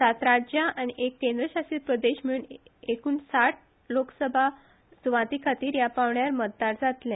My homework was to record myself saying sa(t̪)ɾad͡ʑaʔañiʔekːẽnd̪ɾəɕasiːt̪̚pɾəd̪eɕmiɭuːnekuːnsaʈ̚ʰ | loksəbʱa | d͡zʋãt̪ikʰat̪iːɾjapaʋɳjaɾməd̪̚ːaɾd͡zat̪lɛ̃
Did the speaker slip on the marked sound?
no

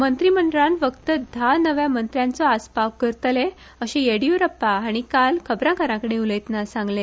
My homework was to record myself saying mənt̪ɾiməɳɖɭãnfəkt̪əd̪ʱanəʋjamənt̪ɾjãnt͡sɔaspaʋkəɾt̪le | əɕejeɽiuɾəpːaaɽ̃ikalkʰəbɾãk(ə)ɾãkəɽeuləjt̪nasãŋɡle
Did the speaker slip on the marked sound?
no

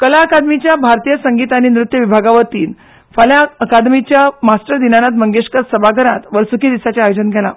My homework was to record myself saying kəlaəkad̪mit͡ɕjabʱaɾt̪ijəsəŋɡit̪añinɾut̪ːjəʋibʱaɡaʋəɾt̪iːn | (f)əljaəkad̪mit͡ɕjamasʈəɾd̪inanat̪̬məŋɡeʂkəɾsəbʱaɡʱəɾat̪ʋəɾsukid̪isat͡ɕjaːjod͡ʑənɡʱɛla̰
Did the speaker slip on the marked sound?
no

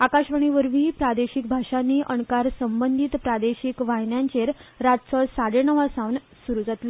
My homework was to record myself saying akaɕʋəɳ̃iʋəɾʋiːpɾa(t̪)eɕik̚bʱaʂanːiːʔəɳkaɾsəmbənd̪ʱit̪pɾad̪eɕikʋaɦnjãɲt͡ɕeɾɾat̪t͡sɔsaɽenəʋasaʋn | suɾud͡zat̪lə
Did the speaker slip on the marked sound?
yes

